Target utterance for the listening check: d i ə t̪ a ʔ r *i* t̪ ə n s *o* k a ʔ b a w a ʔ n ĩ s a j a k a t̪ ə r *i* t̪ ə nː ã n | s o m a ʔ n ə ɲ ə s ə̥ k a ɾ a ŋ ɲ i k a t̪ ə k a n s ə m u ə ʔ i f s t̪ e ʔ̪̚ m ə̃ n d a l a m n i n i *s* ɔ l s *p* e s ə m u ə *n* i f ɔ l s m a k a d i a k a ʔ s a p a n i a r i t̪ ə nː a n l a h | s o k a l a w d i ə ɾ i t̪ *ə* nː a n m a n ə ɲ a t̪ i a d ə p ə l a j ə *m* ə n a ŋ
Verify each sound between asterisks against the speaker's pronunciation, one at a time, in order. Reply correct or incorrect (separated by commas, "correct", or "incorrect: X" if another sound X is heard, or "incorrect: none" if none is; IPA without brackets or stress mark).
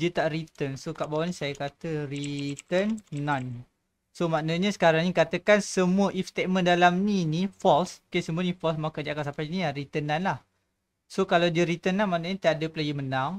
correct, correct, correct, incorrect: f, incorrect: k, correct, correct, correct